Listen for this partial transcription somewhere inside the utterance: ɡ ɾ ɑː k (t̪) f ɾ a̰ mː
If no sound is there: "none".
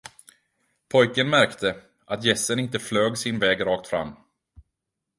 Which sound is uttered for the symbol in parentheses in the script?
t̪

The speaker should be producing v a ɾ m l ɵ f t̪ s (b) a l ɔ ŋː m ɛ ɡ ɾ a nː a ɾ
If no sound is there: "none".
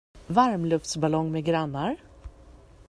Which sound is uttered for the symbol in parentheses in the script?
b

